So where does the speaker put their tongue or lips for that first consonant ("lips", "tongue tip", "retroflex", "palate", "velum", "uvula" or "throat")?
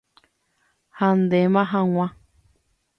throat